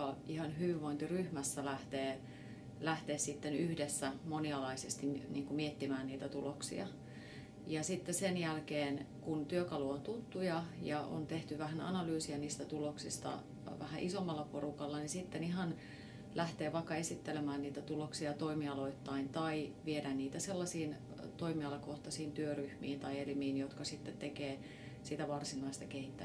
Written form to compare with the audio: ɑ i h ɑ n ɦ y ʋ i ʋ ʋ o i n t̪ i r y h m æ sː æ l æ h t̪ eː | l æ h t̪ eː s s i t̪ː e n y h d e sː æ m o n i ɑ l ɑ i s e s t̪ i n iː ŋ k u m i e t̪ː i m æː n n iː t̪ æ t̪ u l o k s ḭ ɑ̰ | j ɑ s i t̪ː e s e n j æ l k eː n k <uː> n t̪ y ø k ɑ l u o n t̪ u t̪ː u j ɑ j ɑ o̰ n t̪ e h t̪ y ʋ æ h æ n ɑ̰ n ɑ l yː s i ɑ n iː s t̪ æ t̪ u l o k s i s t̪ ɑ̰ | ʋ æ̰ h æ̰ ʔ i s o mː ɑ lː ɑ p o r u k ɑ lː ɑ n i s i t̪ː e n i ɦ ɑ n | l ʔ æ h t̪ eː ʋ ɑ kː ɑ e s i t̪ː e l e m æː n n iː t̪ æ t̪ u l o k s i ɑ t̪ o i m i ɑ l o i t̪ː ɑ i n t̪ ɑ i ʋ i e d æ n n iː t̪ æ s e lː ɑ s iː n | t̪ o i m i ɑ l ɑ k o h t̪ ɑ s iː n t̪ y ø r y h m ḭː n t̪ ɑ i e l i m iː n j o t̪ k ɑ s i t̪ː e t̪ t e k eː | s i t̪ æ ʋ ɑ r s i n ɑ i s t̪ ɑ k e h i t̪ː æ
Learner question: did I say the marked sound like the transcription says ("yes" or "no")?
no